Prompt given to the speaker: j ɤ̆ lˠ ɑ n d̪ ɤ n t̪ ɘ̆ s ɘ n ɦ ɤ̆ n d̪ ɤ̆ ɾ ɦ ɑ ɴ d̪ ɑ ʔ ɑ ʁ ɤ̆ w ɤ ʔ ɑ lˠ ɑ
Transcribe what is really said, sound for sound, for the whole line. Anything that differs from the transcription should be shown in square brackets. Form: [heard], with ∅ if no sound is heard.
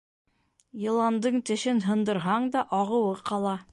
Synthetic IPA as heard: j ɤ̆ lˠ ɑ n d̪ ɤ [ɴ] t̪ ɘ̆ [ʃ] ɘ n ɦ ɤ̆ n d̪ ɤ̆ ɾ ɦ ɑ ɴ d̪ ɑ ʔ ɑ ʁ ɤ̆ w ɤ [q] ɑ lˠ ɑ